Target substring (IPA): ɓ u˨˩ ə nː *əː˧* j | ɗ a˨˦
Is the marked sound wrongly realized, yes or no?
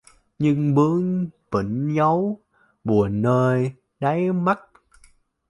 no